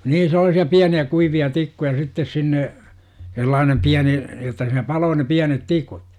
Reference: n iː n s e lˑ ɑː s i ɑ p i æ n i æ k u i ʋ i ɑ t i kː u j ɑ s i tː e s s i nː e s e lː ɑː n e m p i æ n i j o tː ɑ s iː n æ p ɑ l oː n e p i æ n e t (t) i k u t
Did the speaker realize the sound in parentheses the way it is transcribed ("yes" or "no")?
yes